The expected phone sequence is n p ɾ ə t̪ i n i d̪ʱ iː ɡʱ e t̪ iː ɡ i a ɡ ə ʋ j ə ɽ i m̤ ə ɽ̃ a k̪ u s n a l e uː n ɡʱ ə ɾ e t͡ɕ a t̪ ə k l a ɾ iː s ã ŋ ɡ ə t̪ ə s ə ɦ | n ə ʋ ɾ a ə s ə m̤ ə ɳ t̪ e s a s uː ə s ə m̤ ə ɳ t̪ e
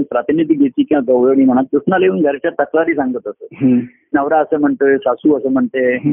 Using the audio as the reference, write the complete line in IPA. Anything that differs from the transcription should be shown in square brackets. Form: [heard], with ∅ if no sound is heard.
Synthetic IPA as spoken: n p ɾ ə t̪ i n i d̪ʱ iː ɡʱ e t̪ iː [k] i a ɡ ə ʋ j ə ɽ i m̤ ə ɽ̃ a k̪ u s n a l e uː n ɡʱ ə ɾ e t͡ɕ a t̪ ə k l a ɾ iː s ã ŋ ɡ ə t̪ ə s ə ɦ | n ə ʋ ɾ a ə s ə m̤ ə ɳ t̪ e s a s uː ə s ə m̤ ə ɳ t̪ e